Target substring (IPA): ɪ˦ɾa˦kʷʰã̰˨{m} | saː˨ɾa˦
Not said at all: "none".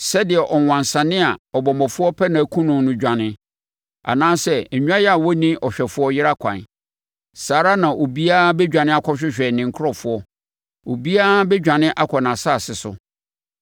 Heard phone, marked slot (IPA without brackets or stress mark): n